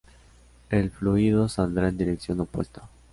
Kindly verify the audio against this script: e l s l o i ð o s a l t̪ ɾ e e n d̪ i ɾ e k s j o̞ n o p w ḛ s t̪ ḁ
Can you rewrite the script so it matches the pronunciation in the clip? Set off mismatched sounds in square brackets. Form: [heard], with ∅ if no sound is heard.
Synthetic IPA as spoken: e l [f] l [u] i ð o s a l [d̪] ɾ [a] e n d̪ i ɾ e k s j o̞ n o p w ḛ s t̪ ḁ